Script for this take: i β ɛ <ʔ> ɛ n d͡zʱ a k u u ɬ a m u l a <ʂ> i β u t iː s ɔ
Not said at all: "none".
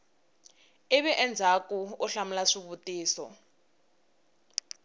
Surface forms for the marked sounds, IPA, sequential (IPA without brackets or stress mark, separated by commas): ʔ, ʂ